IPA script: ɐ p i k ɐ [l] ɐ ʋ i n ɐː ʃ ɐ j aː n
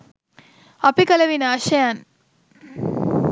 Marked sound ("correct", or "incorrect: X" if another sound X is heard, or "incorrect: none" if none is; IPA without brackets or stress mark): correct